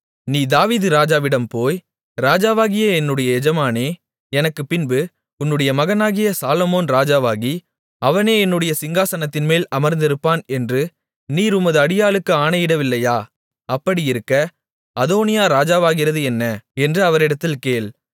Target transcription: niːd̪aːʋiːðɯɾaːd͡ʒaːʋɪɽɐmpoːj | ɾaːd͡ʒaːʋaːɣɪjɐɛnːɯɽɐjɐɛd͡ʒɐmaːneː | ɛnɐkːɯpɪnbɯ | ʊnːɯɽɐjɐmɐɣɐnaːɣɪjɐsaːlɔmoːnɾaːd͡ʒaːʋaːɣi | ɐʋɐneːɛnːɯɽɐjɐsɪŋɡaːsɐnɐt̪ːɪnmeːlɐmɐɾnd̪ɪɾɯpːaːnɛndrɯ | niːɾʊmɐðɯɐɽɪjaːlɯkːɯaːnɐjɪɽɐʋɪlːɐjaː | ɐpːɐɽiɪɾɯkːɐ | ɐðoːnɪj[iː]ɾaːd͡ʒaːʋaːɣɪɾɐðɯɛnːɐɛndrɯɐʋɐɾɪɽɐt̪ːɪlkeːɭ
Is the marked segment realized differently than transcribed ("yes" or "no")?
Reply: yes